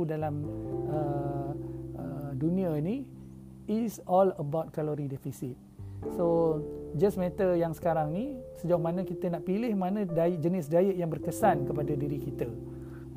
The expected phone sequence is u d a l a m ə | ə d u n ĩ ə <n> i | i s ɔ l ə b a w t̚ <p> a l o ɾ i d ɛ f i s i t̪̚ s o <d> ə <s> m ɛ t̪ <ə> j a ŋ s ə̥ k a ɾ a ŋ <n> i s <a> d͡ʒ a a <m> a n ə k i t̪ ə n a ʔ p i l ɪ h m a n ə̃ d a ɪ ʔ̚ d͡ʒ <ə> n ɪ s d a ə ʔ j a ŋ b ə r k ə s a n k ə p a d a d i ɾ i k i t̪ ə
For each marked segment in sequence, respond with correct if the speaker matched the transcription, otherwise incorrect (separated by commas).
correct, incorrect, incorrect, correct, correct, correct, incorrect, correct, correct